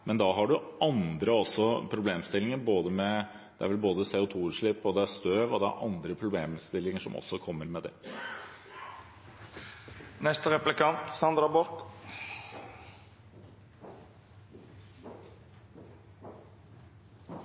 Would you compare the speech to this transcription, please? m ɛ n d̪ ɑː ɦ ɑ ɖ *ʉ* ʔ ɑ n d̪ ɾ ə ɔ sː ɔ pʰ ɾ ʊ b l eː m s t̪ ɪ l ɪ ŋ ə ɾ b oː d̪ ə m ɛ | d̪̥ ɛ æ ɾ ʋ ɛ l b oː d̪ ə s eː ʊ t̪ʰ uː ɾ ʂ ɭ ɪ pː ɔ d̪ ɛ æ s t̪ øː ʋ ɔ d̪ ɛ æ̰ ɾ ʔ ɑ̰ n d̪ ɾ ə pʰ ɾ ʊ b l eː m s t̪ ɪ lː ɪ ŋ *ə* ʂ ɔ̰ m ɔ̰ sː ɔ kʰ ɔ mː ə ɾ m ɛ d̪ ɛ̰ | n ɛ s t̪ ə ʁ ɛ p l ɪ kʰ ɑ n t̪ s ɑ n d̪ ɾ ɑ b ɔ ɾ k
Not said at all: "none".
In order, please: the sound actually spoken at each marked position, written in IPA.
ʉ, ə

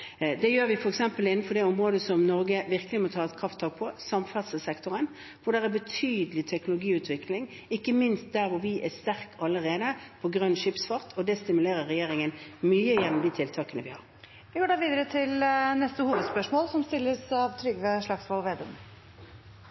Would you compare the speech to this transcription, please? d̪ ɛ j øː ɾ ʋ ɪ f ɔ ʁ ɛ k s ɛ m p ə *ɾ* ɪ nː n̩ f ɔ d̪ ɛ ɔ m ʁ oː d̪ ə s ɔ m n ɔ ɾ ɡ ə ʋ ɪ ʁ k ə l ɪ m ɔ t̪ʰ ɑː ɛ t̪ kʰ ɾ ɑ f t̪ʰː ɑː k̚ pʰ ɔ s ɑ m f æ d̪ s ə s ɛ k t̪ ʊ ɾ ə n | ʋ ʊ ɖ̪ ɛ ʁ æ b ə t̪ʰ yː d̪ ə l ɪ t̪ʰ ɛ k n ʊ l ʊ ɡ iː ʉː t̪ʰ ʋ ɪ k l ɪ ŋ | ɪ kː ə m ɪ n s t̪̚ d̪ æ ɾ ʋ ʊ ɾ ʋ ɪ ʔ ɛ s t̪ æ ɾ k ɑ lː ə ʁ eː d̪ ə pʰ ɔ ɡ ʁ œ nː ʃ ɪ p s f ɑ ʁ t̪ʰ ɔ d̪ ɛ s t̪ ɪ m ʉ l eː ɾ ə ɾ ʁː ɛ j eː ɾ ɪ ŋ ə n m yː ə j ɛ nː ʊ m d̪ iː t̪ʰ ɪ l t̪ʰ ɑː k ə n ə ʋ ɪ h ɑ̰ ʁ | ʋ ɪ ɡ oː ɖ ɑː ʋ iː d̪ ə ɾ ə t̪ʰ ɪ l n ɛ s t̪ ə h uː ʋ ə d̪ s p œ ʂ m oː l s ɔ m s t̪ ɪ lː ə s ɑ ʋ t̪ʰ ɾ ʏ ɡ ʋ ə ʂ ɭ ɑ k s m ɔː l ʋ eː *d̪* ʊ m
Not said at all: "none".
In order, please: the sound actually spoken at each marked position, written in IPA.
l, d̪

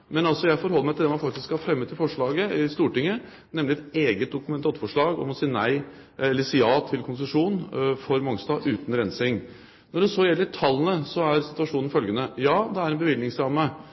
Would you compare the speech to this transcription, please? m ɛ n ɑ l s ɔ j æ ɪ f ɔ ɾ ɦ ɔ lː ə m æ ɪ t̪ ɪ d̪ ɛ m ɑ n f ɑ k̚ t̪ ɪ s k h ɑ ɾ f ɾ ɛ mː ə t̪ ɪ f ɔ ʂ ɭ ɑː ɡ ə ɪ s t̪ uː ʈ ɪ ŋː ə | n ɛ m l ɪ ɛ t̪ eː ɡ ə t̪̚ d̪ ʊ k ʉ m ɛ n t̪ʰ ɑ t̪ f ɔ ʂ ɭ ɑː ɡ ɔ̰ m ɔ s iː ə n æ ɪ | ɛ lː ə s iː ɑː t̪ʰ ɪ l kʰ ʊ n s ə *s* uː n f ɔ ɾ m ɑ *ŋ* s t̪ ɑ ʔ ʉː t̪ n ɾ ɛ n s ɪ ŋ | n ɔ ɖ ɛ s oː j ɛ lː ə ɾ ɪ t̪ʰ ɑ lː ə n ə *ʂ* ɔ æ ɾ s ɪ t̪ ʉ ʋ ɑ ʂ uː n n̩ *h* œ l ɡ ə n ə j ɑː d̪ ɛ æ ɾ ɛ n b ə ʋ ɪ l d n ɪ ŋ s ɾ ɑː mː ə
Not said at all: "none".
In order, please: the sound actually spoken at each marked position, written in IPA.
ʂ, ŋ, s, f

